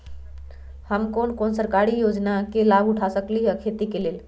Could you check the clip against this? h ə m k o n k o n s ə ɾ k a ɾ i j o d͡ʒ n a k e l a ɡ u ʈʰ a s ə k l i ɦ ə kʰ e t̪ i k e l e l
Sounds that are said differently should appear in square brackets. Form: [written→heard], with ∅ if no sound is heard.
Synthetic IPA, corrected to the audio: h ə m k o n k o n s ə ɾ k a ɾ i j o d͡ʒ n a k e l a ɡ u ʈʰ a s ə k l i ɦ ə kʰ e t̪ i k e l e l